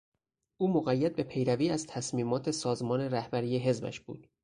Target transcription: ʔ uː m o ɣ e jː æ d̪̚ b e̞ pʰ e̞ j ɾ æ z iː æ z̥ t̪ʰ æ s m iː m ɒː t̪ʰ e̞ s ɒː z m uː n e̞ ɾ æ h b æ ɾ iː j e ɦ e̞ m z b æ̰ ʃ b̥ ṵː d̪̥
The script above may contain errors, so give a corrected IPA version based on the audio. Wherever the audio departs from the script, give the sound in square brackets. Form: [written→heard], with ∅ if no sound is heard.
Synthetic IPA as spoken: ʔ uː m o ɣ [e→æ] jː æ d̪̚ b e̞ pʰ e̞ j ɾ æ [z→v] iː æ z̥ t̪ʰ æ s m iː m ɒː t̪ʰ e̞ s ɒː z m [uː→ɒː] n e̞ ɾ æ h b æ ɾ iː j e ɦ e̞ [m→∅] z b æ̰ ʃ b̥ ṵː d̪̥